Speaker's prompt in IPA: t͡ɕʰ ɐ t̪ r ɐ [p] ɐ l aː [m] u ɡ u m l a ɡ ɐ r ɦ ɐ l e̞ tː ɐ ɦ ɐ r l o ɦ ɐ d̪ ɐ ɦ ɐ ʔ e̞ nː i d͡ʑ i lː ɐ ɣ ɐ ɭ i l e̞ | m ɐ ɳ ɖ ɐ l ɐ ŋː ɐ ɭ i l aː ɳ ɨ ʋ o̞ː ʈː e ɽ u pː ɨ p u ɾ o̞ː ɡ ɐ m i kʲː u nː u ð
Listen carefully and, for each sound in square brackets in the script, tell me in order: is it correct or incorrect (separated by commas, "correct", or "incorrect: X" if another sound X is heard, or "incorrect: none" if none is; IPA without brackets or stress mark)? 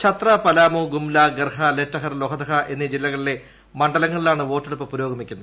correct, correct